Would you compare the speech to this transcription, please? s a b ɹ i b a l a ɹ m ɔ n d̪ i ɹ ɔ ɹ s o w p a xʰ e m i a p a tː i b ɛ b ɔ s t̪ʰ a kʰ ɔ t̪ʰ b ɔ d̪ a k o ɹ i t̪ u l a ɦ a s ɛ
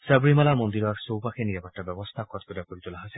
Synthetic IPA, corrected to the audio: s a b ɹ i m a l a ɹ m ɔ n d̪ i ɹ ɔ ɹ s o w p a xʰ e n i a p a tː a b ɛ b ɔ s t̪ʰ a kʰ ɔ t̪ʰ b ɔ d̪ a k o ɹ i t̪ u l a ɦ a s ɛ

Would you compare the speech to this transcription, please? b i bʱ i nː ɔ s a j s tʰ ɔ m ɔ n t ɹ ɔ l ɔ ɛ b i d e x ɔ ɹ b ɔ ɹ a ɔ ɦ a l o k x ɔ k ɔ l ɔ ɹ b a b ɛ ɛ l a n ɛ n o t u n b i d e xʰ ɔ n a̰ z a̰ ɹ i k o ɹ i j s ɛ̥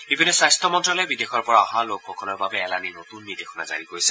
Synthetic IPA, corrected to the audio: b i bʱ i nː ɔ s a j s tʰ ɔ m ɔ n t ɹ ɔ l ɔ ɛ b i d e x ɔ ɹ p ɔ ɹ a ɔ ɦ a l o k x ɔ k ɔ l ɔ ɹ b a b ɛ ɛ l a n i n o t u n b i d e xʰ ɔ n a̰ z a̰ ɹ i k o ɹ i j s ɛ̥

